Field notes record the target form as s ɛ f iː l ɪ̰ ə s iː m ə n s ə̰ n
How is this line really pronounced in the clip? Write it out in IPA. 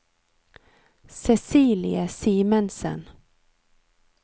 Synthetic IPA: s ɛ s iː l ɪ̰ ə s iː m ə n s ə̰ n